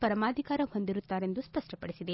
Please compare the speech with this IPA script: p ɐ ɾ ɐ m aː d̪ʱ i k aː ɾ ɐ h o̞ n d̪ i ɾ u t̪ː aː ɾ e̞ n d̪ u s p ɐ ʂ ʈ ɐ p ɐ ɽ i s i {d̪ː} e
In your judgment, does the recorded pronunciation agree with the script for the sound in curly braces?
no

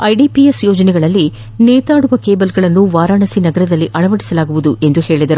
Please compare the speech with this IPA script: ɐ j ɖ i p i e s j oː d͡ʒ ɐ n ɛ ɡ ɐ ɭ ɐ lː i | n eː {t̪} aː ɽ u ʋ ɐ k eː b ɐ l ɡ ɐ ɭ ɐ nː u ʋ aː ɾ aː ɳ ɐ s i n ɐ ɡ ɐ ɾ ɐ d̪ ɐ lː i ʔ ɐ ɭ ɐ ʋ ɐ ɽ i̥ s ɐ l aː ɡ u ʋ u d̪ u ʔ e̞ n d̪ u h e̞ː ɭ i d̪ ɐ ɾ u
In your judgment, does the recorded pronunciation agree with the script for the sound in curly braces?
yes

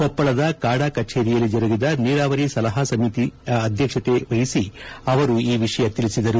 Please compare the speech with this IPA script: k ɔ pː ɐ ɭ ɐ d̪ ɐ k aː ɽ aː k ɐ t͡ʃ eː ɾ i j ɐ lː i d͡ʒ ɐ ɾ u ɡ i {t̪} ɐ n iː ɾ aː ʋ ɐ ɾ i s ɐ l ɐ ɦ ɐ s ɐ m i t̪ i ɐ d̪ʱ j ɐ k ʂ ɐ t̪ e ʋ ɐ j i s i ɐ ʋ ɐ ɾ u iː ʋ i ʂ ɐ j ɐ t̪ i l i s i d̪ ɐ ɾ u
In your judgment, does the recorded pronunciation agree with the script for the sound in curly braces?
no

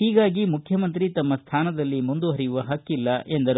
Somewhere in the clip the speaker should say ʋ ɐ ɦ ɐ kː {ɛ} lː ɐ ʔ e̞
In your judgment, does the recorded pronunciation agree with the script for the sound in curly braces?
no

